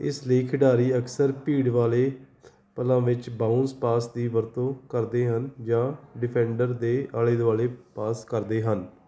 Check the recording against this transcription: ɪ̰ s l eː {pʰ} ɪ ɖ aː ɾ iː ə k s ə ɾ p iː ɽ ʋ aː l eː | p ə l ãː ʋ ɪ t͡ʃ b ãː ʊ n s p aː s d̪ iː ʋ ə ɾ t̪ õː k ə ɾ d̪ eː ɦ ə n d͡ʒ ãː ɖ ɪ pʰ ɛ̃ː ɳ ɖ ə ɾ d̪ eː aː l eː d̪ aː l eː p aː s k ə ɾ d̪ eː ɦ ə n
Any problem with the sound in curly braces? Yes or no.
yes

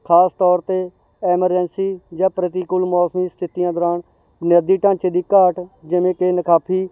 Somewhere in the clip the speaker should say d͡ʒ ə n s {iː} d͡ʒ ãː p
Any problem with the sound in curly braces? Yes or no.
no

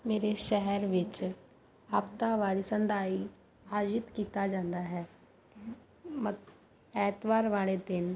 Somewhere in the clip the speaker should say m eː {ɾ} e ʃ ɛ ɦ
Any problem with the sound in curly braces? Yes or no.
no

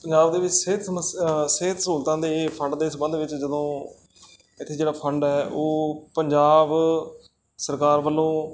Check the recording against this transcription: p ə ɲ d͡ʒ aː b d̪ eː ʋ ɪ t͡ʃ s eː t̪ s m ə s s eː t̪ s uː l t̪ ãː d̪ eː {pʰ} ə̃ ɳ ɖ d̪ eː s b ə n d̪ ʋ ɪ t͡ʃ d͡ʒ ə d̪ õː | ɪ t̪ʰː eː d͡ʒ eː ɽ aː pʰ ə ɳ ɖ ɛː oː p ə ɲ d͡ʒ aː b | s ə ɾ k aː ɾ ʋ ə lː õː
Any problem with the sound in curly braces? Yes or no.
no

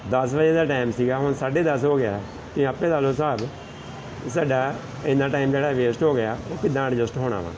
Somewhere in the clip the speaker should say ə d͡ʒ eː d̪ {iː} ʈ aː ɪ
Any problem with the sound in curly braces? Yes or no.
yes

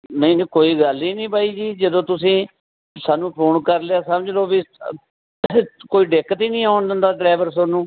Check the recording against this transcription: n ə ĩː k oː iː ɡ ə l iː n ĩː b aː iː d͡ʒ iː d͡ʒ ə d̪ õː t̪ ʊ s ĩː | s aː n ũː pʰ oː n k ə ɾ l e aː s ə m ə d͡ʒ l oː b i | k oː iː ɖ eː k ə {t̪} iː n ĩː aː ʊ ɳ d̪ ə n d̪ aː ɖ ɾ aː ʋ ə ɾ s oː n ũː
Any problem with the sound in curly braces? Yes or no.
no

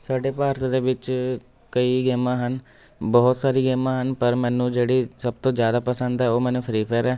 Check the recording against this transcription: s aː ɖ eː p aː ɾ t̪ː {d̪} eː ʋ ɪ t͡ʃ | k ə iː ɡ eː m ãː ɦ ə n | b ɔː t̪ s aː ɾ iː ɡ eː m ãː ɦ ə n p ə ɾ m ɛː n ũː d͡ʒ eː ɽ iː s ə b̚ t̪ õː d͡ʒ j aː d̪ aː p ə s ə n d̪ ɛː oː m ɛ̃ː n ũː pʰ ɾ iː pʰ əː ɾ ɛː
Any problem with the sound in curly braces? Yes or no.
no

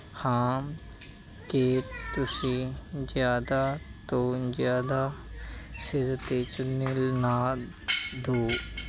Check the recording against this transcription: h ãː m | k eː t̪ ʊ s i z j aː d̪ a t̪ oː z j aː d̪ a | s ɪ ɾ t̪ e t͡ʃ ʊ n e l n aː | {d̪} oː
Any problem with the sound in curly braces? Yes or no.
no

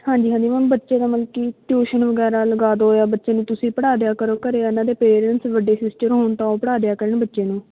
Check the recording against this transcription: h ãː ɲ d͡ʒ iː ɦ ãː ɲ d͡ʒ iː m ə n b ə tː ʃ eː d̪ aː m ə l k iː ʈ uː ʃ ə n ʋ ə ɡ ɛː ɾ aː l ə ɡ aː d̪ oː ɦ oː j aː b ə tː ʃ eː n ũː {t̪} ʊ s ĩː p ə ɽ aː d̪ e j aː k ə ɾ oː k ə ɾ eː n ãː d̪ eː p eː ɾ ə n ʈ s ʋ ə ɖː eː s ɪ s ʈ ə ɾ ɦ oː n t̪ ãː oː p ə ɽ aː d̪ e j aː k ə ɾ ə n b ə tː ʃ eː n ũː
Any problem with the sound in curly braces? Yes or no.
no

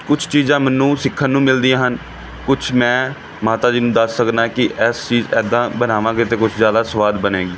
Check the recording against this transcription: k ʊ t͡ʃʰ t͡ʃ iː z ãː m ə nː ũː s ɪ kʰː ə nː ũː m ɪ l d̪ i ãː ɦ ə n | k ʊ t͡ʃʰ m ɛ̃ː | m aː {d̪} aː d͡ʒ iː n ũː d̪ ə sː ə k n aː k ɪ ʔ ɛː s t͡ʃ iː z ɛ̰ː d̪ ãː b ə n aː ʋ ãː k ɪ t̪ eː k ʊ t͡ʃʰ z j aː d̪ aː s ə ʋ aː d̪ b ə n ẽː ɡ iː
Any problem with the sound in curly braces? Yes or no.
yes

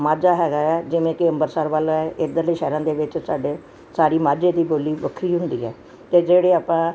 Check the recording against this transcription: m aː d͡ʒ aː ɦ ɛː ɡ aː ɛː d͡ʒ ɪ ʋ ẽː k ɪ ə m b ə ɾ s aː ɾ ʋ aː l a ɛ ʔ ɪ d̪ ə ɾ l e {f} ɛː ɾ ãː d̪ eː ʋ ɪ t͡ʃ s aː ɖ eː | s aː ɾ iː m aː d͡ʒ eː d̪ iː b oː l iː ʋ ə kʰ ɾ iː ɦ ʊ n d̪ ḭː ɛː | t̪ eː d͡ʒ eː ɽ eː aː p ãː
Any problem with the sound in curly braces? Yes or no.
yes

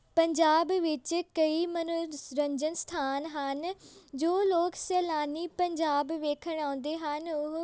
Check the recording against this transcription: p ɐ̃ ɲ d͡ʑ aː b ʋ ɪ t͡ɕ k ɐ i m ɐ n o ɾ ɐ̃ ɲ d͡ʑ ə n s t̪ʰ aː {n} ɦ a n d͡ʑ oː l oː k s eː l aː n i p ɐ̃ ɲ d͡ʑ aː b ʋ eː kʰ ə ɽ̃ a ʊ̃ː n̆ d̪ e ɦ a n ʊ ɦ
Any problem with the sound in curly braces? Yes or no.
no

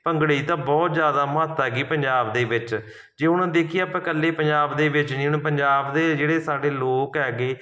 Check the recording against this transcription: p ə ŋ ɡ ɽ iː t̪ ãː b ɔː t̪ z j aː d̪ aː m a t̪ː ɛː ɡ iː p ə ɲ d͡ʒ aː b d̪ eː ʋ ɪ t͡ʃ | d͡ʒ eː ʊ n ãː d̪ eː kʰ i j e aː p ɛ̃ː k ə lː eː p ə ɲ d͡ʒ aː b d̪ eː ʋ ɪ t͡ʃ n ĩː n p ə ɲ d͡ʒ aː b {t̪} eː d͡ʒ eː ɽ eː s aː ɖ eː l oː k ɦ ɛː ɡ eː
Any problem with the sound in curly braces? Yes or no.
yes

